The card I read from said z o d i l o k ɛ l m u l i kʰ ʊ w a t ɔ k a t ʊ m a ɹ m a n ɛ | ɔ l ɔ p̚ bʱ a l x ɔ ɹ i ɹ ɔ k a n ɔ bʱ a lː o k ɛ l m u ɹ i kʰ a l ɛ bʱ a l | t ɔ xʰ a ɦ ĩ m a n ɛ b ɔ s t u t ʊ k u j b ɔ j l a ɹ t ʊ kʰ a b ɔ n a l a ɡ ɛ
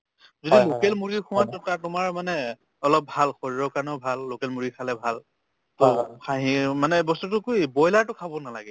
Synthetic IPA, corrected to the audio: z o d i l o k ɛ l m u ɹ i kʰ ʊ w a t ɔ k a t ʊ m a ɹ m a n ɛ | ɔ l ɔ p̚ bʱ a l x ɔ ɹ i ɹ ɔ k a n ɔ bʱ a lː o k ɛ l m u ɹ i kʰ a l ɛ bʱ a l | t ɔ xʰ a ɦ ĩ m a n ɛ b ɔ s t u t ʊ k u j b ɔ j l a ɹ t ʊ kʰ a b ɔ n a l a ɡ ɛ

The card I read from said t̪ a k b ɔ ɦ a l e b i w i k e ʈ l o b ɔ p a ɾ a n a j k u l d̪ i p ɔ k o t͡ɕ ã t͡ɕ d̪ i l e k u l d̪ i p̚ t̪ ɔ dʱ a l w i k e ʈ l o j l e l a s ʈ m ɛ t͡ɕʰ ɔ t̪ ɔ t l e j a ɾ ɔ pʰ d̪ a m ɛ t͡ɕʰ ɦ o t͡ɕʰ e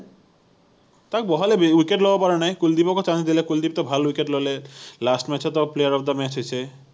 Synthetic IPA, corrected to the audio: t̪ a k b ɔ ɦ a l e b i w i k e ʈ l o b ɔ p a ɾ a n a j k u l d̪ i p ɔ k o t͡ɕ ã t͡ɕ d̪ i l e k u l d̪ i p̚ t̪ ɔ bʱ a l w i k e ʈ l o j l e l a s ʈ m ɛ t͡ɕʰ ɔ t̪ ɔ p l e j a ɾ ɔ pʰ d̪ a m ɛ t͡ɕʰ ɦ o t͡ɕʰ e

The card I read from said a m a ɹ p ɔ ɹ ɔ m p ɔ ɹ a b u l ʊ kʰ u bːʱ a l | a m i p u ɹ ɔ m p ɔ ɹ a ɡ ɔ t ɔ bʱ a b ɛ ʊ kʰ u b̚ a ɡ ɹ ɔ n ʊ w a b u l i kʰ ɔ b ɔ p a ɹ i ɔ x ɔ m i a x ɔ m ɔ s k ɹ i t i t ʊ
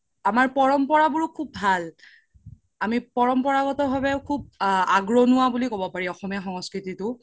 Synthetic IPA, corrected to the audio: a m a ɹ p ɔ ɹ ɔ m p ɔ ɹ a b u ɹ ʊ kʰ u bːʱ a l | a m i p ɔ ɹ ɔ m p ɔ ɹ a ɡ ɔ t ɔ bʱ a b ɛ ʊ kʰ u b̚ a ɡ ɹ ɔ n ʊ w a b u l i k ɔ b ɔ p a ɹ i ɔ x ɔ m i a x ɔ ŋ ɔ s k ɹ i t i t ʊ

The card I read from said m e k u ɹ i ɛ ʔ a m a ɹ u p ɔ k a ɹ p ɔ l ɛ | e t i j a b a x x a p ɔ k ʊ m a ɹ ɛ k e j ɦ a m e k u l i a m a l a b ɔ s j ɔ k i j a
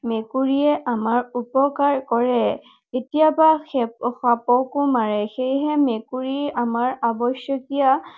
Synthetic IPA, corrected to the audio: m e k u ɹ i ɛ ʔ a m a ɹ u p ɔ k a ɹ k ɔ ɹ ɛ | e t i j a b a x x a p ɔ k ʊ m a ɹ ɛ x e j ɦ ɛ m e k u ɹ i a m a ɹ a b ɔ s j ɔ k i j a

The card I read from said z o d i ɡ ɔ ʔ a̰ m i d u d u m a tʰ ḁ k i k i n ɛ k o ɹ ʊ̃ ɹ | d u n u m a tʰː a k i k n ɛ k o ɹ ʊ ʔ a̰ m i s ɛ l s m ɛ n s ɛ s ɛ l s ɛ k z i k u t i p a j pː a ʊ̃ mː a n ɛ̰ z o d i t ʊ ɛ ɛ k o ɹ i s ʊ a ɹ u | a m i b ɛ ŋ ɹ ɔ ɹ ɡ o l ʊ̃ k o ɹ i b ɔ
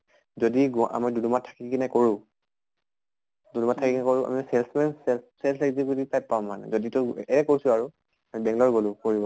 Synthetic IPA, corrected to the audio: z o d i ɡ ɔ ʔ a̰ m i d u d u m a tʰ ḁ k i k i n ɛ k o ɹ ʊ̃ | d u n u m a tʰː a k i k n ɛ k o ɹ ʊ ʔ a̰ m i s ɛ l s m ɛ n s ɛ s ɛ l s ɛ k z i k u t i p a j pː a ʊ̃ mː a n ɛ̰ z o d i t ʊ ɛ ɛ k o ɹ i s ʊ a ɹ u | a m i b ɛ ŋ l ɔ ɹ ɡ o l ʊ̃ k o ɹ i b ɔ

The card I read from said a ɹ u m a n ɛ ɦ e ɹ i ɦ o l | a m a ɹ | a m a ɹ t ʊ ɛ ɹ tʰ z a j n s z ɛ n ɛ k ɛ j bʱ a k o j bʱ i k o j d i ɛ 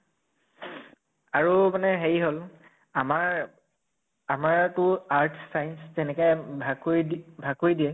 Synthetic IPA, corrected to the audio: a ɹ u m a n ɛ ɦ e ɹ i ɦ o l | a m a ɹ | a m a ɹ t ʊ a ɹ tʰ s a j n s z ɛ n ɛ k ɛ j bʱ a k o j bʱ a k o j d i ɛ

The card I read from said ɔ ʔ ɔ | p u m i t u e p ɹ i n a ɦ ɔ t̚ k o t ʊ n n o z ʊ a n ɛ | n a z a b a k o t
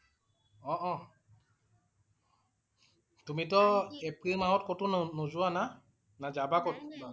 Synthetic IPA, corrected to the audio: ɔ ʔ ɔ | t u m i t ɔ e p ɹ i m a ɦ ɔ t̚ k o t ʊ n n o z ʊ a n a | n a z a b a k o t

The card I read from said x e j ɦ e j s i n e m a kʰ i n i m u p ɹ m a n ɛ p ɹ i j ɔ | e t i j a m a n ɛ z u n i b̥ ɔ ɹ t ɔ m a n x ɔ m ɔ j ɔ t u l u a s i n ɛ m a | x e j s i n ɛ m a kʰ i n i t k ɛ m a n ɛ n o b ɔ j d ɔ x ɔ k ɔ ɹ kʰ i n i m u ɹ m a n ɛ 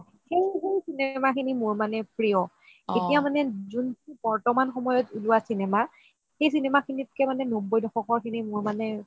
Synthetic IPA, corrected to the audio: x e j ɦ e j s i n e m a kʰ i n i m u ɹ m a n ɛ p ɹ i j ɔ | e t i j a m a n ɛ z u n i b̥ ɔ ɹ t ɔ m a n x ɔ m ɔ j ɔ t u l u a s i n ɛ m a | x e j s i n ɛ m a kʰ i n i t k ɛ m a n ɛ n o b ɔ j d ɔ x ɔ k ɔ ɹ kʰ i n i m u ɹ m a n ɛ

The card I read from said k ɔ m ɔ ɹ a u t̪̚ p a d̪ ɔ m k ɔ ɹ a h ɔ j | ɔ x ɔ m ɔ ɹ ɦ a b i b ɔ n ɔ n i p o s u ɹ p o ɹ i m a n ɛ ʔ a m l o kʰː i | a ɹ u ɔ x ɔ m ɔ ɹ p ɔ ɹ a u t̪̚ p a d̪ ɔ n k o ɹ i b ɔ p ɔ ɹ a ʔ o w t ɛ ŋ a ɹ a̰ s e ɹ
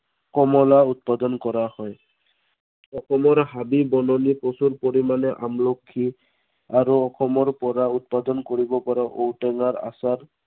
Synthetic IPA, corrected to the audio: k ɔ m ɔ l a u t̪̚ p a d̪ ɔ n k ɔ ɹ a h ɔ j | ɔ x ɔ m ɔ ɹ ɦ a b i b ɔ n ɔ n i p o s u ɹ p o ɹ i m a n ɛ ʔ a m l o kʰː i | a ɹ u ɔ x ɔ m ɔ ɹ p ɔ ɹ a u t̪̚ p a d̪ ɔ n k o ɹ i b ɔ p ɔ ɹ a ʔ o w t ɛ ŋ a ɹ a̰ s a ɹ

